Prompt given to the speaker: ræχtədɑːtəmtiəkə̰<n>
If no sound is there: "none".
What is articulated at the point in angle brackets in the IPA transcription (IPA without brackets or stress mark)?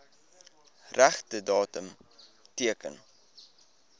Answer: n